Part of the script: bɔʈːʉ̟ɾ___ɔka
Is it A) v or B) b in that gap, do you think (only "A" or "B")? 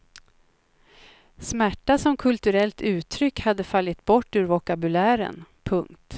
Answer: A